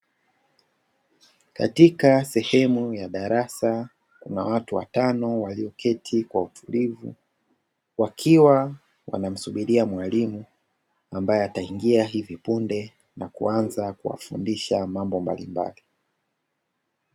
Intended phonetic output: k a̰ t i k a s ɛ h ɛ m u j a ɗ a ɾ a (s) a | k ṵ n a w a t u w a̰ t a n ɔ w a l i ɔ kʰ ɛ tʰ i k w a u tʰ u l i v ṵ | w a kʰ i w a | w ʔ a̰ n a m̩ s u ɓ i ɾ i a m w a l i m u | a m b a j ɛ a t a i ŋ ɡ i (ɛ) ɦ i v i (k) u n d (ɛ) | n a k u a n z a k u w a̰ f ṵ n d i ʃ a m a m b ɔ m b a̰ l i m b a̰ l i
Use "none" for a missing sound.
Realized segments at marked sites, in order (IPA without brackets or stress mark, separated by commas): s, a, p, ɛ